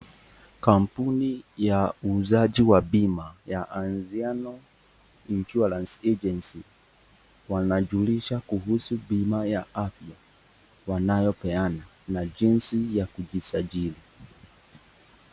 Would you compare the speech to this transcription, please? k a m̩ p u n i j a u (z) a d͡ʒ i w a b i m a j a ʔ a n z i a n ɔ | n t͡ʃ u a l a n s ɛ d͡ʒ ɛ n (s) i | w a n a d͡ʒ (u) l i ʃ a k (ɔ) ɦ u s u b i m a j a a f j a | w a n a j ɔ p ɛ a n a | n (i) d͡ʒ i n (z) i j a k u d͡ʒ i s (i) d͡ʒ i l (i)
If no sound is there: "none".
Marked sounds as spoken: z, s, u, u, a, s, a, i

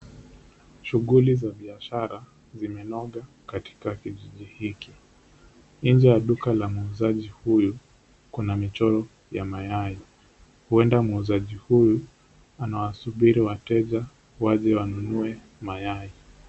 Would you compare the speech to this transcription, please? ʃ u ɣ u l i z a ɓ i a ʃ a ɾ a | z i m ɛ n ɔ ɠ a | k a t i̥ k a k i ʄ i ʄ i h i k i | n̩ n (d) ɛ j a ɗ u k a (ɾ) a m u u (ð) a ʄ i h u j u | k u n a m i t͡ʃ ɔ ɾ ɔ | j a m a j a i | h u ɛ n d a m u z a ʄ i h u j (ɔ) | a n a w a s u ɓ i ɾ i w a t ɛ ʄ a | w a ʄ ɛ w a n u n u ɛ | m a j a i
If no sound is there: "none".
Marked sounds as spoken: d͡ʒ, l, z, u

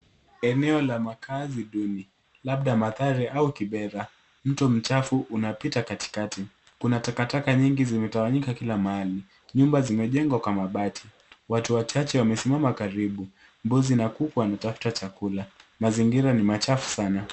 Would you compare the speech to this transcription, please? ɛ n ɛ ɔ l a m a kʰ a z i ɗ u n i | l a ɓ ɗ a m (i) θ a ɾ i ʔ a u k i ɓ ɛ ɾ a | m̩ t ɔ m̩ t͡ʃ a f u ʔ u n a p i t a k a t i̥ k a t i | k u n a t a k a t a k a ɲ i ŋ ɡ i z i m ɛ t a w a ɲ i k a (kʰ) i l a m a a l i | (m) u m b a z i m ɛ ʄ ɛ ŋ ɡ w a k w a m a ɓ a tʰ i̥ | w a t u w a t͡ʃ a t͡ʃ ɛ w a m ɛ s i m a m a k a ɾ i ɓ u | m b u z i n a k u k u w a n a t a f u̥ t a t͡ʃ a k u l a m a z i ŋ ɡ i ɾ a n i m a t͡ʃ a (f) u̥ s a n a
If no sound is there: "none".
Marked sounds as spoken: a, k, ɲ, f

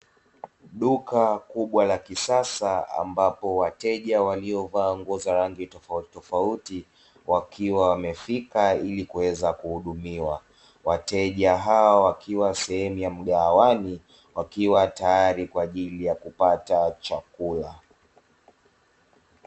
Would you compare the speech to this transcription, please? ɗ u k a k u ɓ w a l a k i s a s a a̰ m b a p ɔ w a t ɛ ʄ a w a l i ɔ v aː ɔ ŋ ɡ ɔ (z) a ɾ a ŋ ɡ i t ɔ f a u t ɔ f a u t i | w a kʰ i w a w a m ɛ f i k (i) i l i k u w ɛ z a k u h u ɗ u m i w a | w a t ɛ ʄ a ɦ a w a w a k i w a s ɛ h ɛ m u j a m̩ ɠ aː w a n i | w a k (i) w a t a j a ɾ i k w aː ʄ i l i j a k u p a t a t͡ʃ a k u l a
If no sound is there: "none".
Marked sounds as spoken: z, a, i

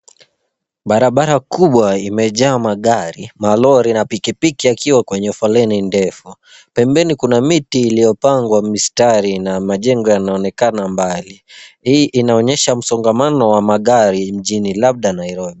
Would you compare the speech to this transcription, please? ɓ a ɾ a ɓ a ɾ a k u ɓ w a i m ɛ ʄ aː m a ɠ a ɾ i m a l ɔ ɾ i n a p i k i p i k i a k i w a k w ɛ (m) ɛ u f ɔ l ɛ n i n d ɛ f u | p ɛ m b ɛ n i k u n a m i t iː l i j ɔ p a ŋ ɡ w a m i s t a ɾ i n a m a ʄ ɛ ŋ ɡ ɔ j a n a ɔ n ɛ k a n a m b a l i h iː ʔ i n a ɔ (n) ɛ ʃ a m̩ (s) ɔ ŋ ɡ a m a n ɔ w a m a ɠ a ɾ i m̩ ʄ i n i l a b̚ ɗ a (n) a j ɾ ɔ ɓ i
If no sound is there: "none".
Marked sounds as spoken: ɲ, ɲ, s, n

